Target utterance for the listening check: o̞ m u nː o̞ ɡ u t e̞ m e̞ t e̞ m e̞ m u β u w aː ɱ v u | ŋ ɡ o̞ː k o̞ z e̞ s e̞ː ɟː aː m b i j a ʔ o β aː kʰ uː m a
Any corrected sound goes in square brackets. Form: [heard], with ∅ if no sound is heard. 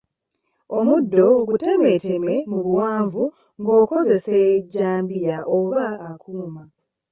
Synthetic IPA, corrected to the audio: o̞ m u [dː] o̞ ɡ u t e̞ m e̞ t e̞ m e̞ m u β u w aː ɱ v u | ŋ ɡ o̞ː k o̞ z e̞ s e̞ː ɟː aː m b i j a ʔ o β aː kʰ uː m a